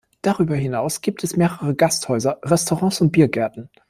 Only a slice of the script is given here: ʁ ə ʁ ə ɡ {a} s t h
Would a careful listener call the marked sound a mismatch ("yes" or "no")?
no